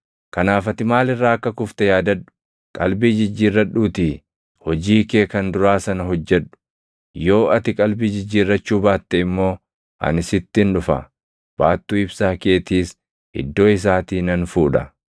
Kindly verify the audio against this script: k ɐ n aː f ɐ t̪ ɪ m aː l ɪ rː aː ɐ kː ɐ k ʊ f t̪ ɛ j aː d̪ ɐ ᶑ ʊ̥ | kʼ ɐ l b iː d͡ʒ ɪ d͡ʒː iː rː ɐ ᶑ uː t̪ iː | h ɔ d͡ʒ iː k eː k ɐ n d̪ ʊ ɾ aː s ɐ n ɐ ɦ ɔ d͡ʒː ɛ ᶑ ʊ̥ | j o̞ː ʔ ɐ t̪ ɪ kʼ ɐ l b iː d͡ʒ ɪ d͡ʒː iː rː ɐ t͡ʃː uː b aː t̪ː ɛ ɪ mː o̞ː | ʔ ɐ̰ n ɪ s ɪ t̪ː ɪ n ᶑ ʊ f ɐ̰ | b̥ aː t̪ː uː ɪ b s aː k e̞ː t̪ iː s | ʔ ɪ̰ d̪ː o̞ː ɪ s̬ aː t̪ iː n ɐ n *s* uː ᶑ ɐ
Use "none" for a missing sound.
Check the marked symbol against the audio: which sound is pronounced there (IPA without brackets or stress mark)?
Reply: f